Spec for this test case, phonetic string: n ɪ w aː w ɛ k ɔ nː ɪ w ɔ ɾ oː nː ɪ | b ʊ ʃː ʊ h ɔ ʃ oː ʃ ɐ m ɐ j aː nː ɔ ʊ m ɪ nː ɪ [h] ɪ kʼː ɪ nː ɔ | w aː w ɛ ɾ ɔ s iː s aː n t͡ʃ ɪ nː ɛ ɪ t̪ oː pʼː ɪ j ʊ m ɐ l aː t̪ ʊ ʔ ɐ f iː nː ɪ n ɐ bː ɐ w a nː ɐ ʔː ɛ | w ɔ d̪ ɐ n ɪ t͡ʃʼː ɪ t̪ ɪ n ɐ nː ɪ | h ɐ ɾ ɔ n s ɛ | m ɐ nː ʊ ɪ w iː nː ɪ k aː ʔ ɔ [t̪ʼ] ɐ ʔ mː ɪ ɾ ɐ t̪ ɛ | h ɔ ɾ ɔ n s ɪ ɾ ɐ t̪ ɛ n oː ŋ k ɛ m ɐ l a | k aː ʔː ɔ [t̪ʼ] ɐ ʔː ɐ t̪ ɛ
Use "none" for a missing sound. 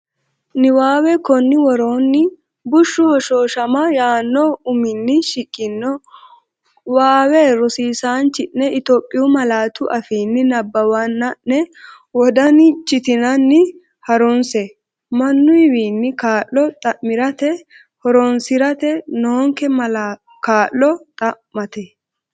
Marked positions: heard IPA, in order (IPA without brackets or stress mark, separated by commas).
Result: ʃ, t̪ʼ, t̪ʼ